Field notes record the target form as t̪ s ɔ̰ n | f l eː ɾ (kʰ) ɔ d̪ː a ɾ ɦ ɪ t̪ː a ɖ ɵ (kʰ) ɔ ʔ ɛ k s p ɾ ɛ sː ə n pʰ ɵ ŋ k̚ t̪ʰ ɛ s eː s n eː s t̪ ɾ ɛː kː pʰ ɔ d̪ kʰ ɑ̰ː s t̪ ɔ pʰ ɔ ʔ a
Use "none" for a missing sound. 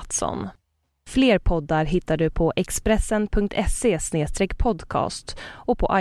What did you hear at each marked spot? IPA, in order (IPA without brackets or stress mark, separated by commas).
pʰ, pʰ